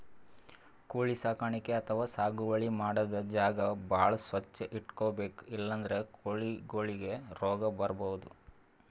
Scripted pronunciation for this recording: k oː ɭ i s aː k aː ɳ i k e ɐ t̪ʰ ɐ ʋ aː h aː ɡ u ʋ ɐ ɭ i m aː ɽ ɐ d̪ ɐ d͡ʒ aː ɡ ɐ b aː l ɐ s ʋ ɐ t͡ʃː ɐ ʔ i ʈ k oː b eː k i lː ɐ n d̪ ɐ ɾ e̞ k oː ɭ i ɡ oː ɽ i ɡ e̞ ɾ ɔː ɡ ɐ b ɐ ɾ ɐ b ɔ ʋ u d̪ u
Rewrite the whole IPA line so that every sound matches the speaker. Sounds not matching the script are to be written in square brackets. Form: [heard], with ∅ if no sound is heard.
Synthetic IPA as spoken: k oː ɭ i s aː k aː ɳ i k e ɐ t̪ʰ ɐ ʋ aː [s] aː ɡ u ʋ ɐ ɭ i m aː ɽ ɐ d̪ ɐ d͡ʒ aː ɡ ɐ b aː [ɭ] ɐ s ʋ ɐ t͡ʃː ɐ ʔ i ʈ k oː b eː k i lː ɐ n d̪ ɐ ɾ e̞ k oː ɭ i ɡ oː [ɭ] i ɡ e̞ ɾ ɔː ɡ ɐ b ɐ ɾ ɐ b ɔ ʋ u d̪ u